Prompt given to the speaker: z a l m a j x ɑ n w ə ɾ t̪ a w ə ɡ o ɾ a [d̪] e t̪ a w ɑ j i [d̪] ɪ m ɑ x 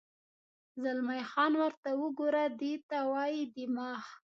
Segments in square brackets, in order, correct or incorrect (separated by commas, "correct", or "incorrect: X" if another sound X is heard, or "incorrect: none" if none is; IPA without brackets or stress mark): correct, correct